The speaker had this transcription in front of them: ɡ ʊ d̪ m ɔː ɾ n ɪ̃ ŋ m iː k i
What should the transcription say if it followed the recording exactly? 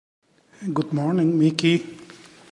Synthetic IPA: ɡ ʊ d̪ m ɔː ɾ n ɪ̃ ŋ m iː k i